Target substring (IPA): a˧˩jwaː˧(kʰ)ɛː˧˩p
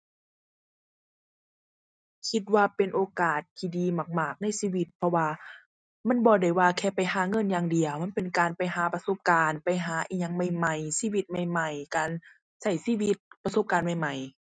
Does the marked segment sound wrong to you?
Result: no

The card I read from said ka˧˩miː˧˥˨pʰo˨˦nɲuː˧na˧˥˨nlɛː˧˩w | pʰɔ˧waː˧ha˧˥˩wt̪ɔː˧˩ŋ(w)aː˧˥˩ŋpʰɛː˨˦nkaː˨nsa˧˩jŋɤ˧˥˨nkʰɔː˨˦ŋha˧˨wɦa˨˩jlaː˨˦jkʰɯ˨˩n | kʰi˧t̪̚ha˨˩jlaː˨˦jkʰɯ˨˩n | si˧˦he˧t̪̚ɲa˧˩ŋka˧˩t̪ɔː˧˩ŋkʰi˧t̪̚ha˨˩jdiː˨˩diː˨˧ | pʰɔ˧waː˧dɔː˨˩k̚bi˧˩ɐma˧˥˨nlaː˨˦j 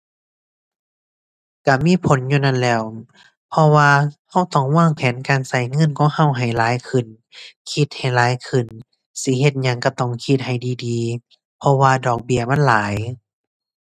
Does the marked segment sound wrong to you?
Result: no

